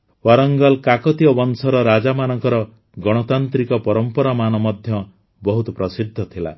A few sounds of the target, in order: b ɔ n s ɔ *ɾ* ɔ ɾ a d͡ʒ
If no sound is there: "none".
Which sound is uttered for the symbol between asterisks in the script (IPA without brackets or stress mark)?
ɾ